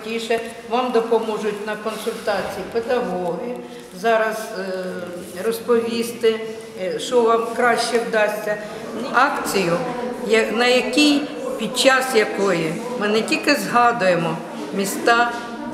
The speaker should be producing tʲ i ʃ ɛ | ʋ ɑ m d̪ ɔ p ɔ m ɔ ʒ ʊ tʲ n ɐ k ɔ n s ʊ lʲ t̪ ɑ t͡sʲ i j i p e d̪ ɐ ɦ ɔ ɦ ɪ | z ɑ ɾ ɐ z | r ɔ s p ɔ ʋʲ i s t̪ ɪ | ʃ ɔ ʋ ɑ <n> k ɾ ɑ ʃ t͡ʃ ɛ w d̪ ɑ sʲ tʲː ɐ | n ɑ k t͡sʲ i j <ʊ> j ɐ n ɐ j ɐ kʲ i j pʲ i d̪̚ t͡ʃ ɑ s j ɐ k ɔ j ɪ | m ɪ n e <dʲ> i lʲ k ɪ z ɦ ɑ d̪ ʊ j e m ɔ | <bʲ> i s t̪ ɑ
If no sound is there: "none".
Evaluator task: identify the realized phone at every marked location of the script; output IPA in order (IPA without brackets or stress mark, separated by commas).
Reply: m, ʊ, tʲ, mʲ